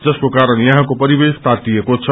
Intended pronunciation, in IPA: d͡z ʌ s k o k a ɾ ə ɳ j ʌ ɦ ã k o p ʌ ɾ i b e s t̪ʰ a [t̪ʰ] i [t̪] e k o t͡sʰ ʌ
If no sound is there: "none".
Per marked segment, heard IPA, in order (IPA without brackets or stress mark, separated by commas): t̪, none